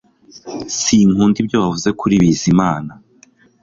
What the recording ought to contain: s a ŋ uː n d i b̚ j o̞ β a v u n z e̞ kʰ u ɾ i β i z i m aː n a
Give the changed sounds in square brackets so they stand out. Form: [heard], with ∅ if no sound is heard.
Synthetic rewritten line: s [i] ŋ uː n d i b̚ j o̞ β a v u [∅] z e̞ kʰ u ɾ i β i z i m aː n a